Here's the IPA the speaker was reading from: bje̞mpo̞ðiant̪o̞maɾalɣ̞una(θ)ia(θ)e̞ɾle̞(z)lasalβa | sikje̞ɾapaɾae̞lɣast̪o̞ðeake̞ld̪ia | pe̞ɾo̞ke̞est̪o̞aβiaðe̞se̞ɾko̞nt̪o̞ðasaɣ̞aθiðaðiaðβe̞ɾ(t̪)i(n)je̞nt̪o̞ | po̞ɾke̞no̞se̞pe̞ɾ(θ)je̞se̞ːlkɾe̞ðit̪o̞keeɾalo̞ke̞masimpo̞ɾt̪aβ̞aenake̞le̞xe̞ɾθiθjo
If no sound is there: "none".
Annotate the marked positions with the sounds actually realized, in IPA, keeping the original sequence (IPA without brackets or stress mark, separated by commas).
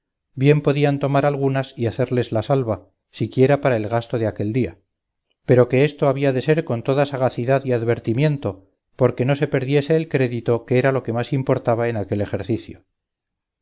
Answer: s, θ, z, t̪, m, ð